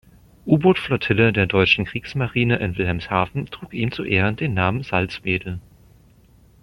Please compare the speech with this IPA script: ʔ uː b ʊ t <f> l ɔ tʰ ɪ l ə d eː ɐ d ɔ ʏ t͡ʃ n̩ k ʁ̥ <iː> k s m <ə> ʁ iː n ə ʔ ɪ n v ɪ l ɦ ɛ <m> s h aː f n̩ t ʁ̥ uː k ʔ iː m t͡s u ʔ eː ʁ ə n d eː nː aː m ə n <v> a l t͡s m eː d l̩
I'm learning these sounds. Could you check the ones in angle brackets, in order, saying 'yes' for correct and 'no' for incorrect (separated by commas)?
yes, yes, no, yes, no